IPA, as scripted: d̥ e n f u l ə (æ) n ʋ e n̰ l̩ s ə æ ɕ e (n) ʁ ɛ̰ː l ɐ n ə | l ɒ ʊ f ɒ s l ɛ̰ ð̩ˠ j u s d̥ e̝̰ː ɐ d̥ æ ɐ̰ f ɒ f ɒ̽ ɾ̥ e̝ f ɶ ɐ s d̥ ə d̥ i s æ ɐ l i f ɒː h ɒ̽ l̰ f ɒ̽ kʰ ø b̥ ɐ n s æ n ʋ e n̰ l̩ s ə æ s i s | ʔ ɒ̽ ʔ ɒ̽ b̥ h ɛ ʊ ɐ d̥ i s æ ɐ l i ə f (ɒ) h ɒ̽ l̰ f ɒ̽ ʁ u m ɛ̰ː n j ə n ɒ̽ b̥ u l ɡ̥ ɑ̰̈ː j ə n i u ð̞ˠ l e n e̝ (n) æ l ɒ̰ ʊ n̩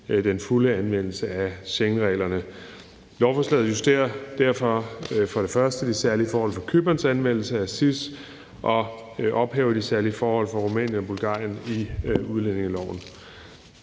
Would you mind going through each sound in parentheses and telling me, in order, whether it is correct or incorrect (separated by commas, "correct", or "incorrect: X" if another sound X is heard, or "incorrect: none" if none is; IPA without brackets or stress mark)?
correct, incorrect: ŋ, incorrect: ɒː, incorrect: ŋ